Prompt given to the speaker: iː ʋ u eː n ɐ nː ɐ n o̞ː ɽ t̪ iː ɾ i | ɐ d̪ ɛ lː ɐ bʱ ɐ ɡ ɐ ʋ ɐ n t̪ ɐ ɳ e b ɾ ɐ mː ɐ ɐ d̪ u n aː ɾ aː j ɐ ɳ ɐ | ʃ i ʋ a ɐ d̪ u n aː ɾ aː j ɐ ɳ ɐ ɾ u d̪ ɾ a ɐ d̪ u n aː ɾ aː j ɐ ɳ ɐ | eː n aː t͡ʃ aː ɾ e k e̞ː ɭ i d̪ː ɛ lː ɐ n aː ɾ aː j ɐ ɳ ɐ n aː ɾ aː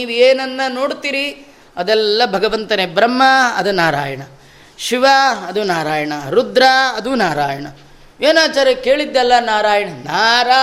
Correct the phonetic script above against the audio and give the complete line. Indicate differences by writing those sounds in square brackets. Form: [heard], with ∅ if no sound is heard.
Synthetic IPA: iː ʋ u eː n ɐ nː ɐ n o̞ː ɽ t̪ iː ɾ i | ɐ d̪ ɛ lː ɐ bʱ ɐ ɡ ɐ ʋ ɐ n t̪ ɐ [n] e b ɾ ɐ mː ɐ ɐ d̪ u n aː ɾ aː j ɐ ɳ ɐ | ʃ i ʋ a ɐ d̪ u n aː ɾ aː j ɐ ɳ ɐ ɾ u d̪ ɾ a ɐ d̪ u n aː ɾ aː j ɐ ɳ ɐ | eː n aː t͡ʃ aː ɾ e k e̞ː ɭ i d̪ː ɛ lː ɐ n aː ɾ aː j ɐ ɳ ɐ n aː ɾ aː